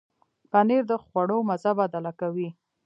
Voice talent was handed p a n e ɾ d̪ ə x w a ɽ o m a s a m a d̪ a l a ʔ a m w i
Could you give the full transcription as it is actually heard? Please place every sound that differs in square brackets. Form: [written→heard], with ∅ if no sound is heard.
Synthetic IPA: p a n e ɾ d̪ ə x w a ɽ o m a [s→z] a [m→b] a d̪ a l a [ʔ→k] a [m→∅] w i